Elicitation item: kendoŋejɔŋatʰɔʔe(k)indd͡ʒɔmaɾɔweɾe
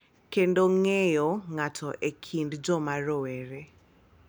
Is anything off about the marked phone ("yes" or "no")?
yes